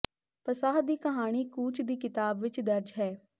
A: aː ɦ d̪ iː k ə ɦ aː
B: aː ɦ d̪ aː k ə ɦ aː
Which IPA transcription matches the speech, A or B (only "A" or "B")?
A